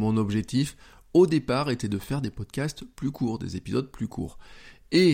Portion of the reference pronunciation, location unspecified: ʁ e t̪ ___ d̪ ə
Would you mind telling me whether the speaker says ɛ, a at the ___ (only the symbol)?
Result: ɛ